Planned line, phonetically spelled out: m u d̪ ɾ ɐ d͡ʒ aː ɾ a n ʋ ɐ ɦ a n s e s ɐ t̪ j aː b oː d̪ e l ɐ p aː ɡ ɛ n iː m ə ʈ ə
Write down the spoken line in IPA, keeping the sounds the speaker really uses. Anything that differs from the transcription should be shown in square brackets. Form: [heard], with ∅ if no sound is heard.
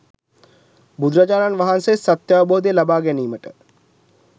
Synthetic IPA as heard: [b] u d̪ ɾ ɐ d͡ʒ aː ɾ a n ʋ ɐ ɦ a n s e s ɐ t̪ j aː b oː d̪ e l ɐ [b] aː ɡ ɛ n iː m ə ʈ ə